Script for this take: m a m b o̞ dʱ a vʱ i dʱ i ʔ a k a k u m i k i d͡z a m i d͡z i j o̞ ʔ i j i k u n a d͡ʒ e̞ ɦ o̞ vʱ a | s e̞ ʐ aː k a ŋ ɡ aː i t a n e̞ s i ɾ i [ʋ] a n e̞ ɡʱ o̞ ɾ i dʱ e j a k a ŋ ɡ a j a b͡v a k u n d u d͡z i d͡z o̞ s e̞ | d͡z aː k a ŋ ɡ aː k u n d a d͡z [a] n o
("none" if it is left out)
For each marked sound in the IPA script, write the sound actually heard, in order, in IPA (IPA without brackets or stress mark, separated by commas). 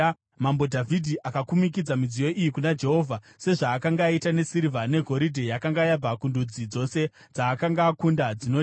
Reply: v, i